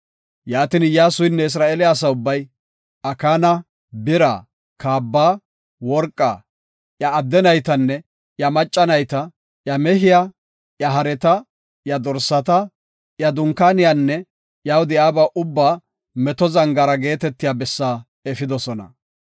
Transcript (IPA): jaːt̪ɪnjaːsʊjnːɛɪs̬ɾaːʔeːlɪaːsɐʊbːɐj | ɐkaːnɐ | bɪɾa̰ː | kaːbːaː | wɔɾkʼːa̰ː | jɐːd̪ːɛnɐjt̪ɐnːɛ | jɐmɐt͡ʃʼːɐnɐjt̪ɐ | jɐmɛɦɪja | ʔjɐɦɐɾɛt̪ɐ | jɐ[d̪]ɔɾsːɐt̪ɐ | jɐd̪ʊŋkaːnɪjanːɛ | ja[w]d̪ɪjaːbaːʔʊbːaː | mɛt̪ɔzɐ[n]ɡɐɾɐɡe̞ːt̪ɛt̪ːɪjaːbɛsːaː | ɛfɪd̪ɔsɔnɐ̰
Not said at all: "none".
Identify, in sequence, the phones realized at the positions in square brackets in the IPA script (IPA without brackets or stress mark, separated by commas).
d̪, w, ŋ